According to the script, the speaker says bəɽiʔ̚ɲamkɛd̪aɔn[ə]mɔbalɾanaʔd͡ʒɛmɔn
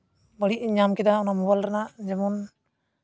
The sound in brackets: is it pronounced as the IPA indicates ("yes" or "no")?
no